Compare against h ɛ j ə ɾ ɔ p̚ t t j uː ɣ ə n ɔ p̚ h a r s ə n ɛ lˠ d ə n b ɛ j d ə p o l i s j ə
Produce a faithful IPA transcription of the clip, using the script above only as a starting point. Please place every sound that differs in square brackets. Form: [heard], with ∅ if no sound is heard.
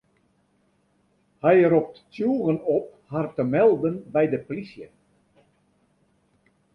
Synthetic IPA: h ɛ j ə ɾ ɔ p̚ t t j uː ɣ ə n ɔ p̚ h a r [t] ə [m] ɛ lˠ d ə n b ɛ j d ə p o l i s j ə